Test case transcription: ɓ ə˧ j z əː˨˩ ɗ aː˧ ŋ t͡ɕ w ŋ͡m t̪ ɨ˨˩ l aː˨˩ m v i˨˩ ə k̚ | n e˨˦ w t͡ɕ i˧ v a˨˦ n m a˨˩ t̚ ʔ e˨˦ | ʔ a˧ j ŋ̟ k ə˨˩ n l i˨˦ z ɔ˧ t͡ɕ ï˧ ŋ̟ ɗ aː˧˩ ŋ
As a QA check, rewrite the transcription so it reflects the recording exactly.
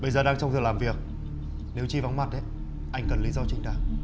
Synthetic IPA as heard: ɓ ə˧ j z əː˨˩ ɗ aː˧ ŋ t͡ɕ w ŋ͡m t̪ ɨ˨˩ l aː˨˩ m v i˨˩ ə k̚ | n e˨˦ w t͡ɕ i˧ v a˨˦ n m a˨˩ t̚ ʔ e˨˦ | ʔ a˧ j ŋ̟ k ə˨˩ n l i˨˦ z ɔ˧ t͡ɕ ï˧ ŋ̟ ɗ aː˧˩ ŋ